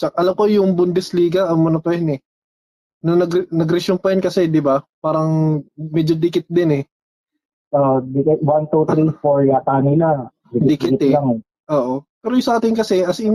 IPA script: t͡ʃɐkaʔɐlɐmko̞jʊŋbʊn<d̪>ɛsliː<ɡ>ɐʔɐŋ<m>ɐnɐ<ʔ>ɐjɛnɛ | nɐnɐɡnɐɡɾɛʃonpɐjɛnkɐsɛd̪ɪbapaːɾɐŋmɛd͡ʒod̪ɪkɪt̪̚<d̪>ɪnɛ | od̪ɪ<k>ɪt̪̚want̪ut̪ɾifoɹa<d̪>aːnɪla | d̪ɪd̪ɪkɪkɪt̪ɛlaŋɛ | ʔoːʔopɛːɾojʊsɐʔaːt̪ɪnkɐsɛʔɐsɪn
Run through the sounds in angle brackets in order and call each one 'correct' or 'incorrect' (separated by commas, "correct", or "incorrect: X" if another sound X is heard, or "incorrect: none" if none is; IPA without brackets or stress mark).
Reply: correct, correct, correct, incorrect: p, correct, correct, incorrect: t̪